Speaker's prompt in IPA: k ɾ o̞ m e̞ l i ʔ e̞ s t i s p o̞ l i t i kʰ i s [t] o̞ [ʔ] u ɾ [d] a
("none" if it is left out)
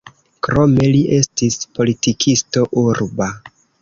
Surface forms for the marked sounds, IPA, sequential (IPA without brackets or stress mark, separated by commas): t, ʔ, b